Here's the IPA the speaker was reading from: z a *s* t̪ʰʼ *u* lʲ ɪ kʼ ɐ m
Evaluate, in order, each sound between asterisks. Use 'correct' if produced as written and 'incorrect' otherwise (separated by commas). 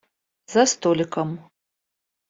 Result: correct, incorrect